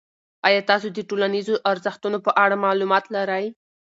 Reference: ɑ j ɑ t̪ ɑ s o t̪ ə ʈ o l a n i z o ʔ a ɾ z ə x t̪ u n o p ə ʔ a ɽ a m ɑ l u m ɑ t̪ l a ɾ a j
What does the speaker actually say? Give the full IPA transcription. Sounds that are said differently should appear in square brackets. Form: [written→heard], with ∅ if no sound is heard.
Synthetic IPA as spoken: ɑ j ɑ t̪ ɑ s o [t̪→d̪] ə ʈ o l a n i z o ʔ a ɾ z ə x t̪ u n o p ə ʔ a ɽ a m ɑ l u m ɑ t̪ l a ɾ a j